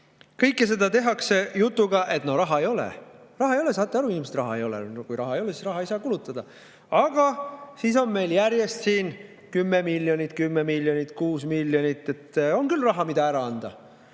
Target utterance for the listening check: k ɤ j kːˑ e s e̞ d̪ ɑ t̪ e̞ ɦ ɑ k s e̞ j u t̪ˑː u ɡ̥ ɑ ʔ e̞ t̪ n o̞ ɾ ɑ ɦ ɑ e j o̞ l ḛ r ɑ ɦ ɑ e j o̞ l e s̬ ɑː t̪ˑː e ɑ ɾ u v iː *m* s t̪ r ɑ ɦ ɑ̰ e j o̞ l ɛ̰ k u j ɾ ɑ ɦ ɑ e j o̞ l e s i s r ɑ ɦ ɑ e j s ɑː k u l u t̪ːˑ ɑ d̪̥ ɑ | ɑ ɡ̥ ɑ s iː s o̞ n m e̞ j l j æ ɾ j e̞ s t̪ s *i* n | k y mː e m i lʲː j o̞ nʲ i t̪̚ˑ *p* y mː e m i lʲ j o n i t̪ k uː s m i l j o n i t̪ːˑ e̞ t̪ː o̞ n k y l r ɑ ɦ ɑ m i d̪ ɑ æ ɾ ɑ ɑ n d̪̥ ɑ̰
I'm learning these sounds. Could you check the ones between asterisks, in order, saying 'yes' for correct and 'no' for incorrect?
yes, no, no

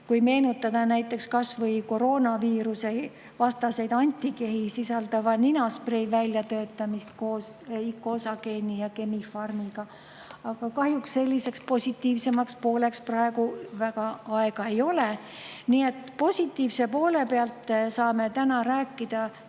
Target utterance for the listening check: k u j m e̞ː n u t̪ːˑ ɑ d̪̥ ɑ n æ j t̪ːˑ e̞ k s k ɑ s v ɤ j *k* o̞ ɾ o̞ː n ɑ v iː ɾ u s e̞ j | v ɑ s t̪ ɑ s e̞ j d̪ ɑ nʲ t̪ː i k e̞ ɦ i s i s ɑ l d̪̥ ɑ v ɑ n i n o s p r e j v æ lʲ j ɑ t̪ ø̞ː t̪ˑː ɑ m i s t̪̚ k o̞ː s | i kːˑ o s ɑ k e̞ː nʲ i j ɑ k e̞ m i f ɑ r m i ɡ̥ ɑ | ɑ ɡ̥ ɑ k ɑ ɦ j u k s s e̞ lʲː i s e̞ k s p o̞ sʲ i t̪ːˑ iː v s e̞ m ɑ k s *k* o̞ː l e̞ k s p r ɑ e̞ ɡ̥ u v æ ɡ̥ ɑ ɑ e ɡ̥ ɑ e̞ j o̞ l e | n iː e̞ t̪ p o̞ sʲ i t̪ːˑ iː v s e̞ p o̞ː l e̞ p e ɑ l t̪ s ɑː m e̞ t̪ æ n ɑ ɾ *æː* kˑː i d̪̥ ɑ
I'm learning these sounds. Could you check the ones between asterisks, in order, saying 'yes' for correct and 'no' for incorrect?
yes, no, yes

